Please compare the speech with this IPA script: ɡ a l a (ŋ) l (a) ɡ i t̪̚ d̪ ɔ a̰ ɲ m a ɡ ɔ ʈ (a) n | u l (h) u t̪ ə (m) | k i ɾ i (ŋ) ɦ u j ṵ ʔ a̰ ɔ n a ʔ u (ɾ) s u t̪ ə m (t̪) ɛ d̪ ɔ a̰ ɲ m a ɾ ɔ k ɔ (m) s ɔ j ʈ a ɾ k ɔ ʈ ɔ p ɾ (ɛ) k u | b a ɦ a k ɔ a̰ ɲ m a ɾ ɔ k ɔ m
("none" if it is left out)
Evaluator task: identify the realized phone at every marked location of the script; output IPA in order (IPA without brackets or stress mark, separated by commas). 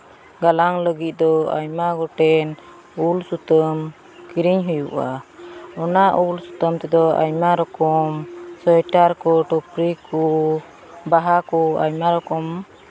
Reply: ŋ, ə, ɛ, s, m, ɲ, l, t̪, m, i